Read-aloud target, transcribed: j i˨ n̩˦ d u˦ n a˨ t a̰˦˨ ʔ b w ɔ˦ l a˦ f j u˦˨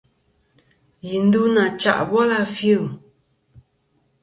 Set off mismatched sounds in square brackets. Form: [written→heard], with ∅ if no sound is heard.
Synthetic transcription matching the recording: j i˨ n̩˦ d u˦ n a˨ [t→t͡ʃ] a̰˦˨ ʔ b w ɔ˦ l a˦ f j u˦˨